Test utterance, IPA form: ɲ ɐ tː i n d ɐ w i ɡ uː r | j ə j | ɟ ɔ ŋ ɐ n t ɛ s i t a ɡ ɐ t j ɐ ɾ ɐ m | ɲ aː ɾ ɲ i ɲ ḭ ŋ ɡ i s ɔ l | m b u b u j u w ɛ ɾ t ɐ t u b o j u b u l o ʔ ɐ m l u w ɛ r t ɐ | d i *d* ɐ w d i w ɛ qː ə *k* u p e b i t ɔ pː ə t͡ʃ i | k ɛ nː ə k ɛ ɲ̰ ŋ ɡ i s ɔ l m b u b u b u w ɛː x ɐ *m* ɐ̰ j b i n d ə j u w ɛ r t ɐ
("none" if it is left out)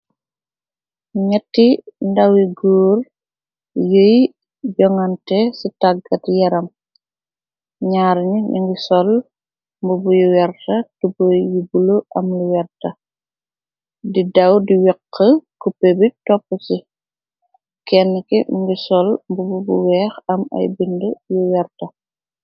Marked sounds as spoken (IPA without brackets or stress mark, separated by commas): d, k, m